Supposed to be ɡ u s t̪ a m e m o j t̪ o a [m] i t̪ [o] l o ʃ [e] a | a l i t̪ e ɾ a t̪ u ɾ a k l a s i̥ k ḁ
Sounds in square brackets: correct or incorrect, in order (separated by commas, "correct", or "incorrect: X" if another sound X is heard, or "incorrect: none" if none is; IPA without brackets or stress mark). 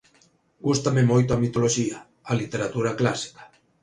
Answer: correct, correct, incorrect: i